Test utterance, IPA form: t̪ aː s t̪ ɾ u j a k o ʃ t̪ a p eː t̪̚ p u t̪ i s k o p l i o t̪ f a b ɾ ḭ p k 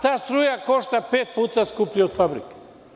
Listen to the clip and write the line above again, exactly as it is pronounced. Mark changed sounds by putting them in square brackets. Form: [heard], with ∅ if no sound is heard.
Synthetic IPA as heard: t̪ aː s t̪ ɾ u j a k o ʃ t̪ a p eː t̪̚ p u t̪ [a] s k [u] p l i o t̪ f a b ɾ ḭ [∅] k

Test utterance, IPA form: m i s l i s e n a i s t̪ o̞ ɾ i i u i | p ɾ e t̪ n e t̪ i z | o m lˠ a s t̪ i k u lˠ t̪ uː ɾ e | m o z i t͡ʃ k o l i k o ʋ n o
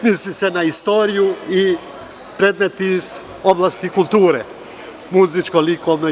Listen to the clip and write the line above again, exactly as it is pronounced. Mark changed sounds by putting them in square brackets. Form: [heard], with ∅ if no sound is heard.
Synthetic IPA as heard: m i s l i s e n a i s t̪ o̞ ɾ i [j] u i | p ɾ e [d̪] n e t̪ i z | o [b] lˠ a s t̪ i k u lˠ t̪ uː ɾ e | m [u] z i t͡ʃ k o l i k o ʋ n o

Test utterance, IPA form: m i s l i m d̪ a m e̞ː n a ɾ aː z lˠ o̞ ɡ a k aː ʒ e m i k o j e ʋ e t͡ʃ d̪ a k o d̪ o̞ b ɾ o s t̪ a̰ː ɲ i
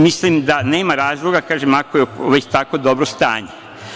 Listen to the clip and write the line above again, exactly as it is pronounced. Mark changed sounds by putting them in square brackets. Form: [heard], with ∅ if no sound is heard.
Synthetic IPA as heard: m i s l i m d̪ a [n] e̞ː [m] a ɾ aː z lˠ o̞ ɡ a k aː ʒ e m [a] k o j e ʋ e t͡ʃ [t̪] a k o d̪ o̞ b ɾ o s t̪ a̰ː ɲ [e]

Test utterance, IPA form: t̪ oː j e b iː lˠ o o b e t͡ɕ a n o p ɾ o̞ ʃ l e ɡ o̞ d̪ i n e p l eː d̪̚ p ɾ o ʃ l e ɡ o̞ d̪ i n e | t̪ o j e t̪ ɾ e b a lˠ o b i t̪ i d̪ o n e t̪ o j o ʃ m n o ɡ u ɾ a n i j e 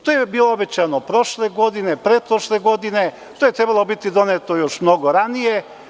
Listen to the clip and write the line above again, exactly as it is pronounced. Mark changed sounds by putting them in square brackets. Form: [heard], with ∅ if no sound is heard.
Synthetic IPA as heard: t̪ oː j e b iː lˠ o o b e t͡ɕ a n o p ɾ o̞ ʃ l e ɡ o̞ d̪ i n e p [ɾ] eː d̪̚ p ɾ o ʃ l e ɡ o̞ d̪ i n e | t̪ o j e t̪ ɾ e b a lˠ o b i t̪ i d̪ o n e t̪ o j o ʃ m n o ɡ [o] ɾ a n i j e

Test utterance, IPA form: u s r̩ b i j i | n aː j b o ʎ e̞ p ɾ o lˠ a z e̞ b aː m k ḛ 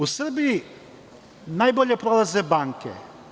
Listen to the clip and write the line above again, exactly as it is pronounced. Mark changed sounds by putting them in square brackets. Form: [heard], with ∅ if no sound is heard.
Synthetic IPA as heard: u s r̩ b i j i | n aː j b o ʎ e̞ p ɾ o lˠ a z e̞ b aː [ŋ] k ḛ

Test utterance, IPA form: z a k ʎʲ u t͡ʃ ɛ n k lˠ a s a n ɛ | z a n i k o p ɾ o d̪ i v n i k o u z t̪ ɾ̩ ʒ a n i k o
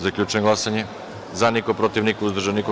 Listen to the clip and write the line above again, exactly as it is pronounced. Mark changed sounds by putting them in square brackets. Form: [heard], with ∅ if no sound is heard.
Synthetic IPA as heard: z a k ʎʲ u t͡ʃ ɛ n [ɡ] lˠ a s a [ɲ] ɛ | z a n i k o p ɾ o [t̪] i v n i k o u z [d̪] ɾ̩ ʒ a n i k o

